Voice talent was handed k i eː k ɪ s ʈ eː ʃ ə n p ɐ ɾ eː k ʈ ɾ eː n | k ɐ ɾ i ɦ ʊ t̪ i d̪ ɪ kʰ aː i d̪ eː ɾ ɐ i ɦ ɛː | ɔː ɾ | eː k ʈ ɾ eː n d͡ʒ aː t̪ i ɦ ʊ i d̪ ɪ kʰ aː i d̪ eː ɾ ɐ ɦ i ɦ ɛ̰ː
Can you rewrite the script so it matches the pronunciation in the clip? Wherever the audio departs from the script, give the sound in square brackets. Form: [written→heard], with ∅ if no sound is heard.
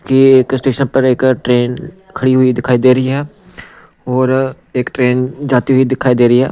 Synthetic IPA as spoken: k i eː k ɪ s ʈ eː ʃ ə n p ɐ ɾ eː k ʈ ɾ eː n | [k→kʰ] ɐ [ɾ→ɽ] i ɦ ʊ [t̪→∅] i d̪ ɪ kʰ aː i d̪ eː ɾ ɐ i ɦ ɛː | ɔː ɾ | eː k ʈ ɾ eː n d͡ʒ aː t̪ i ɦ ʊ i d̪ ɪ kʰ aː i d̪ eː ɾ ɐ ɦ i ɦ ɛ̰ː